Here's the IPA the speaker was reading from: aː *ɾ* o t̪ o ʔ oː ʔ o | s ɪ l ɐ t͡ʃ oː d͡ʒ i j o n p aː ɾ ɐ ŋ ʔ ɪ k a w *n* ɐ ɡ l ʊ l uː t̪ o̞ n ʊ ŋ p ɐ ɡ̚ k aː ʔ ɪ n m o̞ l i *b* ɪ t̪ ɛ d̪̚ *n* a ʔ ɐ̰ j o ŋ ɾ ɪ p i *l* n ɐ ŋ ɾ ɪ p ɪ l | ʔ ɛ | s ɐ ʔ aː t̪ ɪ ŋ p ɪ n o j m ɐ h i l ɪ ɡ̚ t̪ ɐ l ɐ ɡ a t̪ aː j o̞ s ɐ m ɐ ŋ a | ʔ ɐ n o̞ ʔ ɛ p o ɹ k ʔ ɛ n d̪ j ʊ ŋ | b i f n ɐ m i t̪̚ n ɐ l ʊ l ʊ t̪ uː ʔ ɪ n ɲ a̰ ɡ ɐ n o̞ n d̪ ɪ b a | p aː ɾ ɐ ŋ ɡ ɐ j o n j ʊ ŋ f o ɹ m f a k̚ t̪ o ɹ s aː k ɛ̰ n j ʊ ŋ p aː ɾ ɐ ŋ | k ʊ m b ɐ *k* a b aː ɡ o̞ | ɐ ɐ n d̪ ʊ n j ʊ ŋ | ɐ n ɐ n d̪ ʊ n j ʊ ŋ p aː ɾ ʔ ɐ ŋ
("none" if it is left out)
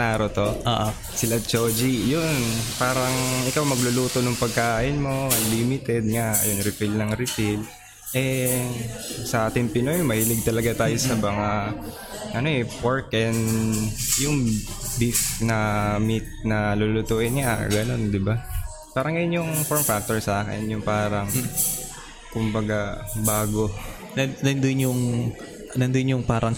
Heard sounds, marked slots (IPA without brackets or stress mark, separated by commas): ɾ, m, m, ŋ, l, ɡ